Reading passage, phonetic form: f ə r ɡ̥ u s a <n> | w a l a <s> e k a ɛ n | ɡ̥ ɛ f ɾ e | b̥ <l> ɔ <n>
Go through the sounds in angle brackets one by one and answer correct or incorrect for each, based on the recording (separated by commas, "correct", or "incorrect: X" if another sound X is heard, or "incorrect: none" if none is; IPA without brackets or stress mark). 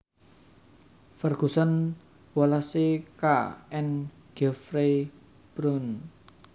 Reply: correct, correct, incorrect: ɾ, correct